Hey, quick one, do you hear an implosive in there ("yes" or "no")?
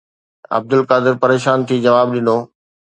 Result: yes